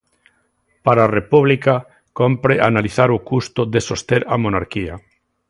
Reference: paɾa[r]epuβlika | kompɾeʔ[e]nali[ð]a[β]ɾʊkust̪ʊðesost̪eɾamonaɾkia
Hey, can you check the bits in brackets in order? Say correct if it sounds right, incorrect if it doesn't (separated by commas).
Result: correct, incorrect, incorrect, incorrect